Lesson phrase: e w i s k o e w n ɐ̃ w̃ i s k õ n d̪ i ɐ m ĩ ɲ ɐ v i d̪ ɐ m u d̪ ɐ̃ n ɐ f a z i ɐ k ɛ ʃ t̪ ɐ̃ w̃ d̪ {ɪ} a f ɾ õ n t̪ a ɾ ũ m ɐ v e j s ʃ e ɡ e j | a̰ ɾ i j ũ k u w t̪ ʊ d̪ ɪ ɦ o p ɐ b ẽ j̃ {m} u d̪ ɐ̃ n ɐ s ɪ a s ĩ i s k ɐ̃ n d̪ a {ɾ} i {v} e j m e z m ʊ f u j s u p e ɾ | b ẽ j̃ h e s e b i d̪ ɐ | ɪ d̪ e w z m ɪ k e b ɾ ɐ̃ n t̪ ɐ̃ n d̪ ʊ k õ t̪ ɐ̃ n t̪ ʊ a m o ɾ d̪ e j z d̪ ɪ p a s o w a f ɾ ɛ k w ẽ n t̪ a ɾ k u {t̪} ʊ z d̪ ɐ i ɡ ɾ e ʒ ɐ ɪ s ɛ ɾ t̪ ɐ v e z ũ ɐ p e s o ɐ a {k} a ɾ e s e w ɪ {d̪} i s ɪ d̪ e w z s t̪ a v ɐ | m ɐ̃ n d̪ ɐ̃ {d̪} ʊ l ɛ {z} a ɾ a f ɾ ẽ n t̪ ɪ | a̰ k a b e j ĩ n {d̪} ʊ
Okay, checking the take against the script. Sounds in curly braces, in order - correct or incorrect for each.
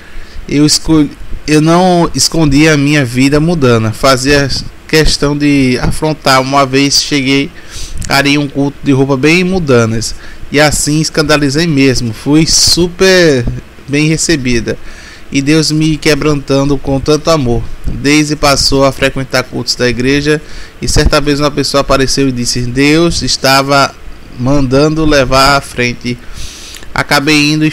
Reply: correct, correct, incorrect: l, incorrect: z, correct, incorrect: p, correct, correct, incorrect: v, correct

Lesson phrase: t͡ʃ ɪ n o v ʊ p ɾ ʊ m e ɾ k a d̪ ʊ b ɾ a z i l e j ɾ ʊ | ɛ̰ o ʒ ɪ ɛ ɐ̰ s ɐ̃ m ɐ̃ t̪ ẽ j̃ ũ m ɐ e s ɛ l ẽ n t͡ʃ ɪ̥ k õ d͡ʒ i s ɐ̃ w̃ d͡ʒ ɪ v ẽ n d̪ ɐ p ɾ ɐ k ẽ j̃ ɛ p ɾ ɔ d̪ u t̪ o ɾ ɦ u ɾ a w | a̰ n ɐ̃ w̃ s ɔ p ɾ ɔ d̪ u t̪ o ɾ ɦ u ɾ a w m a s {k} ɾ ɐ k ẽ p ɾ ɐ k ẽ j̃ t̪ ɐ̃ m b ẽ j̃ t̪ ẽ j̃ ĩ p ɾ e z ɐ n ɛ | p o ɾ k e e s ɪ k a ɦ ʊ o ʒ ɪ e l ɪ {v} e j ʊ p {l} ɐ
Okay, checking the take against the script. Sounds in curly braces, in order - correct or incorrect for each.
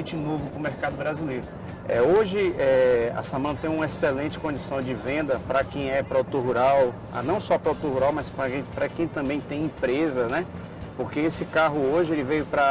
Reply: incorrect: p, correct, incorrect: ɾ

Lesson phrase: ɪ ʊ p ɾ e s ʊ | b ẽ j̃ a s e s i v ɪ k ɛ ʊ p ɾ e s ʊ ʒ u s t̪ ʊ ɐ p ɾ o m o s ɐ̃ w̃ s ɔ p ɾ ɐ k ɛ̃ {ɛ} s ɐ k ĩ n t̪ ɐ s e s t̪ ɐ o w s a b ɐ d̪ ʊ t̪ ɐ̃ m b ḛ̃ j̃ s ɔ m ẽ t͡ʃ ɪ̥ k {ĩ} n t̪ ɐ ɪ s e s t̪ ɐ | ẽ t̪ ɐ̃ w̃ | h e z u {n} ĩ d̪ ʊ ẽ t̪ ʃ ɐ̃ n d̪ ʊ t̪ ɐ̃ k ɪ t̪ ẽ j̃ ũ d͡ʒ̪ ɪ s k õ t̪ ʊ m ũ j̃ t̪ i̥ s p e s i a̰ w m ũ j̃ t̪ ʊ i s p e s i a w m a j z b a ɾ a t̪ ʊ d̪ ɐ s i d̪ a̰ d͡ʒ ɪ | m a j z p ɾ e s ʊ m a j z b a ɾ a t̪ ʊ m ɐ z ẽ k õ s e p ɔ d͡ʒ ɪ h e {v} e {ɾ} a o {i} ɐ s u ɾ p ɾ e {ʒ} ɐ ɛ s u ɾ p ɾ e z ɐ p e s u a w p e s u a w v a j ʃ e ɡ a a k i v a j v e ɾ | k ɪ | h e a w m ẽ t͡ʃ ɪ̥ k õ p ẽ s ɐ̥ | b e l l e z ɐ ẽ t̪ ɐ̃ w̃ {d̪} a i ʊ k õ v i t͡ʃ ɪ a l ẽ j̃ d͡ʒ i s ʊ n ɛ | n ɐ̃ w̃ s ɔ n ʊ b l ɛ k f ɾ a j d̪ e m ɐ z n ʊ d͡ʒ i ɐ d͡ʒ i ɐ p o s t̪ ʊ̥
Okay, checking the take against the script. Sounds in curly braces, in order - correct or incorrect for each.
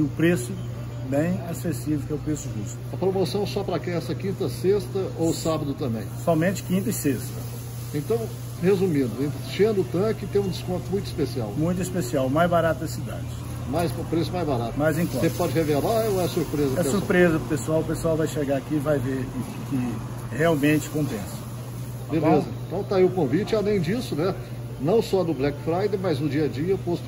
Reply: correct, correct, incorrect: m, correct, incorrect: l, incorrect: ɛ, incorrect: z, incorrect: t̪

